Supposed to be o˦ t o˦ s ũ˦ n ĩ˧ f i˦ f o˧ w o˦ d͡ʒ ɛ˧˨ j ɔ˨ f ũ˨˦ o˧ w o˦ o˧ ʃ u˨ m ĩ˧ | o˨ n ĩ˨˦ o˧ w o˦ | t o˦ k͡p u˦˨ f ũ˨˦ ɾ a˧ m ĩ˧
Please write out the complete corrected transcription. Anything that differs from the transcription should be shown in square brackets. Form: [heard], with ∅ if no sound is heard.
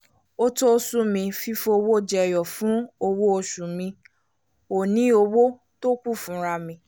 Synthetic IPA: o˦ t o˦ s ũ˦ [m] ĩ˧ f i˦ f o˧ w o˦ d͡ʒ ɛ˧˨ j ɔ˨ f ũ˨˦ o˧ w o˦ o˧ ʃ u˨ m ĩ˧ | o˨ n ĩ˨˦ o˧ w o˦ | t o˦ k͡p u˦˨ f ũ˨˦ ɾ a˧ m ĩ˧